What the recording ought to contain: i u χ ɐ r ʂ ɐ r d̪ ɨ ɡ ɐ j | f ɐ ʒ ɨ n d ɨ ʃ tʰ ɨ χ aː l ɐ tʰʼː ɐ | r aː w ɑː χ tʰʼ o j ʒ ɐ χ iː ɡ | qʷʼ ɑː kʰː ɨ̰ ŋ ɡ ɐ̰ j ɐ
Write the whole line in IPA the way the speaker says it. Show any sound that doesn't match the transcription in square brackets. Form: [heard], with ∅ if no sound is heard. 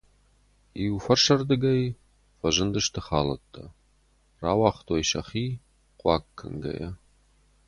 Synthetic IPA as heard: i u [f] ɐ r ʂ ɐ r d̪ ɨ ɡ ɐ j | f ɐ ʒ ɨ n d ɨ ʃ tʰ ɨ χ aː l ɐ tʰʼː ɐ | r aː w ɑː χ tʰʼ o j [ʃ] ɐ χ iː [∅] | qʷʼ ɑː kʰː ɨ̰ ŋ ɡ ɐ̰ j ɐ